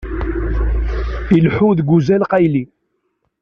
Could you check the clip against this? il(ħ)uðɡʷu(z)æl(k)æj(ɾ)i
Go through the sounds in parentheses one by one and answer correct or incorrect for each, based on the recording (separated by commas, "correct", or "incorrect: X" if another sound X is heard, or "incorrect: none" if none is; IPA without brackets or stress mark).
correct, correct, incorrect: q, incorrect: l